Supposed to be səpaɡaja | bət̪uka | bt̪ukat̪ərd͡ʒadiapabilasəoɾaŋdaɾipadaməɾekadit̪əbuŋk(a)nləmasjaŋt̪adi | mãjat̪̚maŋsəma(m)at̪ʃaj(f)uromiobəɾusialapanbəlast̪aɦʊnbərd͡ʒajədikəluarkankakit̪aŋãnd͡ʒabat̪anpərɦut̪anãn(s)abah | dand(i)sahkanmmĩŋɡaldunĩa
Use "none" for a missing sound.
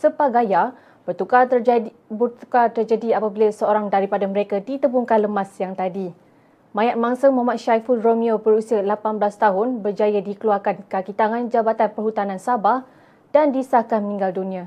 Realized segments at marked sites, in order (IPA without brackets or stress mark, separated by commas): a, m, f, s, i